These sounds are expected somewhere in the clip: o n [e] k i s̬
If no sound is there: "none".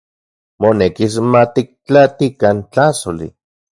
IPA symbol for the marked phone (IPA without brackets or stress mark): e